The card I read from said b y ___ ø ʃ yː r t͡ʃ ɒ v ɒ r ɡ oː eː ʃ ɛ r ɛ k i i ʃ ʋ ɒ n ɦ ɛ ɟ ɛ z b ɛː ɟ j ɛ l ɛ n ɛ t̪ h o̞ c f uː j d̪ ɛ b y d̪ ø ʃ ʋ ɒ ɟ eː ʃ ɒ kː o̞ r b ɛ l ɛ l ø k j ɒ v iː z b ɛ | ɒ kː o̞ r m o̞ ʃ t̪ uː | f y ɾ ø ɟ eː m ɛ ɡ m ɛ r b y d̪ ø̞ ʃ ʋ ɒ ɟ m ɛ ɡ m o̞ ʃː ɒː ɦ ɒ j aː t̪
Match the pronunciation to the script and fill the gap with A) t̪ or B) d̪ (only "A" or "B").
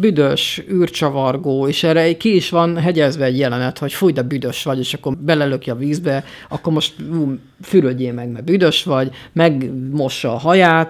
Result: B